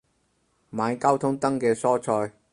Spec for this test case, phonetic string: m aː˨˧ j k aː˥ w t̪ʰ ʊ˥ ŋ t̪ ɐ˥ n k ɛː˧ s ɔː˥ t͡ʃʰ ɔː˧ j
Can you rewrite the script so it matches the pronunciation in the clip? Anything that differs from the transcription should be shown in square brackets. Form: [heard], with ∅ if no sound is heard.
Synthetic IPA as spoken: m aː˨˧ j k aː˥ w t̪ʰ ʊ˥ ŋ t̪ ɐ˥ [ŋ] k ɛː˧ s ɔː˥ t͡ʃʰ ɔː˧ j